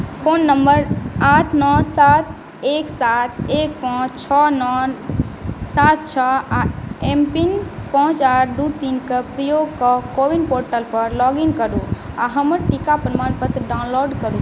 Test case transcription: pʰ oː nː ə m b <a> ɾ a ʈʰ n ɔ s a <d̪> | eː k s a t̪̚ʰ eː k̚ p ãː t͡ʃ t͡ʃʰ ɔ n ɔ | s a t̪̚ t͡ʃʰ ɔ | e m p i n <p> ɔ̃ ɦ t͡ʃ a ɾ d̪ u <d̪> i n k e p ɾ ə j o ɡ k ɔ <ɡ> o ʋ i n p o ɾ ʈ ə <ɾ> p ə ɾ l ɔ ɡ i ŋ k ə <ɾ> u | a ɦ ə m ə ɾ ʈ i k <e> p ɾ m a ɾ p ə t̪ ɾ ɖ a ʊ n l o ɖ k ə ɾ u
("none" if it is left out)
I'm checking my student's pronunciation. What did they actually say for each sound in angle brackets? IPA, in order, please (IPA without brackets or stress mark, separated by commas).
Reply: ə, t̪, p, t̪, k, l, ɾ, a